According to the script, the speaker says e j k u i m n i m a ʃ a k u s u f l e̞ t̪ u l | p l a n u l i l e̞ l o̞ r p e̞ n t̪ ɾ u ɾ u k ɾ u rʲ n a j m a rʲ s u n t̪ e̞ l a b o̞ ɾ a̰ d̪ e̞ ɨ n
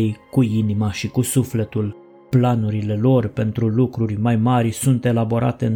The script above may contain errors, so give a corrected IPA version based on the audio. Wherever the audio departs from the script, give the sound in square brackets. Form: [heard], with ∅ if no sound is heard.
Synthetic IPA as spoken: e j k u i [∅] n i m a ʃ [i] k u s u f l e̞ t̪ u l | p l a n u [ɾ] i l e̞ l o̞ r p e̞ n t̪ ɾ u [l] u k ɾ u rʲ [m] a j m a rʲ s u n t̪ e̞ l a b o̞ ɾ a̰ [t̪] e̞ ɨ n